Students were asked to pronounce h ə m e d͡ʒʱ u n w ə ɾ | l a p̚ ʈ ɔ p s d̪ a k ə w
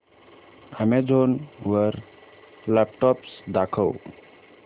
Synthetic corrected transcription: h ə m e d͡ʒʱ o n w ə ɾ | l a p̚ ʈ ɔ p s d̪ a kʰ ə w